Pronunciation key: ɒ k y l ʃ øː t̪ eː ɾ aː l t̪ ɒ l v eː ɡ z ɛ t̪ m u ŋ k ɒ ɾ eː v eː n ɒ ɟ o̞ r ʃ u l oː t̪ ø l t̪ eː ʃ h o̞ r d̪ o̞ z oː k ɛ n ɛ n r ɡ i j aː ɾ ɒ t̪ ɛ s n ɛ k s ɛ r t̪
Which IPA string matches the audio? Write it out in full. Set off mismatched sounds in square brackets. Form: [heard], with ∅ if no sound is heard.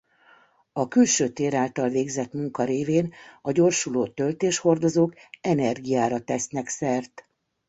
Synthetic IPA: ɒ k y l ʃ øː t̪ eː ɾ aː l t̪ ɒ l v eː ɡ z ɛ t̪ m u ŋ k ɒ ɾ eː v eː n ɒ ɟ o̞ r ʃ u l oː t̪ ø l t̪ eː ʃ h o̞ r d̪ o̞ z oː k ɛ n ɛ [∅] r ɡ i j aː ɾ ɒ t̪ ɛ s n ɛ k s ɛ r t̪